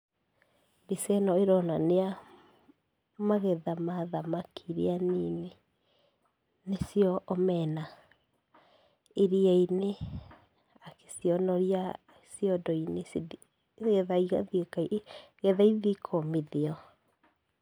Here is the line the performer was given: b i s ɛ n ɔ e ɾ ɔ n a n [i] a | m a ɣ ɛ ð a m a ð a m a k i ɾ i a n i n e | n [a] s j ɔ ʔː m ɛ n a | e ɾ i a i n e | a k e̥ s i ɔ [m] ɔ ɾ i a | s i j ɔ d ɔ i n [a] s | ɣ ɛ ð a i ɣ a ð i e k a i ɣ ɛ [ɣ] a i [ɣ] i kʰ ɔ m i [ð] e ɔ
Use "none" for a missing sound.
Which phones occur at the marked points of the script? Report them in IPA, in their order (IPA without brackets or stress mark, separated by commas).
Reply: e, e, n, e, ð, ð, ð